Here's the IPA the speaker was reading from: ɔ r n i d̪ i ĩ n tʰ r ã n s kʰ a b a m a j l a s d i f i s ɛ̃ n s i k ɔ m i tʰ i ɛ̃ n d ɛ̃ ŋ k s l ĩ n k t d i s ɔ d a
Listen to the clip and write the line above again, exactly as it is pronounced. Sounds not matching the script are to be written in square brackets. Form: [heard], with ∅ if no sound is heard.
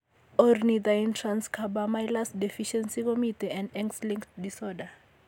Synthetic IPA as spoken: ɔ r n i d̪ [a] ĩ n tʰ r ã n s kʰ a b a m a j l a s d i f i [ʃ] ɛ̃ n s i k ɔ m i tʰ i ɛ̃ n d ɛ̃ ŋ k s l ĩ [ŋ] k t d i s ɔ d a